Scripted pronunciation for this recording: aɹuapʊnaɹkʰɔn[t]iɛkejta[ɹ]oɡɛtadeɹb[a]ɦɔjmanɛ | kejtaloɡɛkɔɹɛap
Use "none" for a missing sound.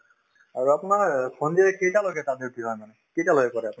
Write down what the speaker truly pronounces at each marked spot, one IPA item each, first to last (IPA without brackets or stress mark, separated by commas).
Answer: d, l, i